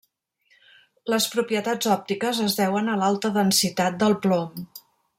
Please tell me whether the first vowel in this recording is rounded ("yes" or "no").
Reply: no